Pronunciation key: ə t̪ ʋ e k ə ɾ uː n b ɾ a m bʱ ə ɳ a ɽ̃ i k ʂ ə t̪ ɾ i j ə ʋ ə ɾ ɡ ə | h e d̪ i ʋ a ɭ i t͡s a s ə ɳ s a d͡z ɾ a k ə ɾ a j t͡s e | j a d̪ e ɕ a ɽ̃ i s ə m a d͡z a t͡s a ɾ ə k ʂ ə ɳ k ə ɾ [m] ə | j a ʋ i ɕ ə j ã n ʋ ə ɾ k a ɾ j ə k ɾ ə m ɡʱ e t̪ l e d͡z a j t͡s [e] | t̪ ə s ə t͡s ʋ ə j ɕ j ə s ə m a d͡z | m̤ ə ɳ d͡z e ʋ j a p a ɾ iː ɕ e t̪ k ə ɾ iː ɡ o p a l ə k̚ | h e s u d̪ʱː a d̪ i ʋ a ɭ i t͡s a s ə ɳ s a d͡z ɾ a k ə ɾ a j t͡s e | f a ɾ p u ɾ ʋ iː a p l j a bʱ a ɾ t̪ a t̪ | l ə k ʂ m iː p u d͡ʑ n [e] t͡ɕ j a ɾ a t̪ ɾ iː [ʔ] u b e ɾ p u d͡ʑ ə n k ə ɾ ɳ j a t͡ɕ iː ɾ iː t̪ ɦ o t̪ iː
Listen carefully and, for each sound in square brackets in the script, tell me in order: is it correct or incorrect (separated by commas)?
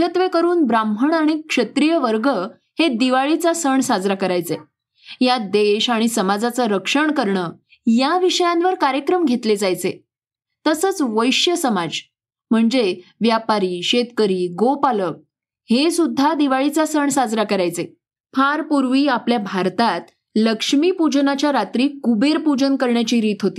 incorrect, correct, incorrect, incorrect